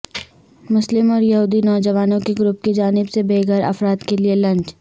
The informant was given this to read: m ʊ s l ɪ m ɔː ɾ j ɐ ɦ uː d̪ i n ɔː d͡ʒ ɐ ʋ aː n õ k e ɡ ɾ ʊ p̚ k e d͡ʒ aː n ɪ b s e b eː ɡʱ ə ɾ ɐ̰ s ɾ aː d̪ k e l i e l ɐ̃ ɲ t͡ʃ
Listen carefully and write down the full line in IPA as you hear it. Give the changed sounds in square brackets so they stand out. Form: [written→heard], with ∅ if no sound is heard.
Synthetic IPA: m ʊ s l ɪ m ɔː ɾ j ɐ ɦ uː d̪ i n ɔː d͡ʒ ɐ ʋ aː n õ k e ɡ ɾ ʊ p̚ k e d͡ʒ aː n ɪ b s e b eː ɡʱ ə ɾ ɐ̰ [s→f] ɾ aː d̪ k e l i e l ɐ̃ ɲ t͡ʃ